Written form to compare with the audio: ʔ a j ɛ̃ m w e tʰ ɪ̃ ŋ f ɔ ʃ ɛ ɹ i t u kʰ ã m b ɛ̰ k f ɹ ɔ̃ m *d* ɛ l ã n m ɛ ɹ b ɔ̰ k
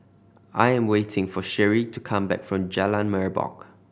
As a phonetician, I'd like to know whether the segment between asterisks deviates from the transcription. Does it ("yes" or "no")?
yes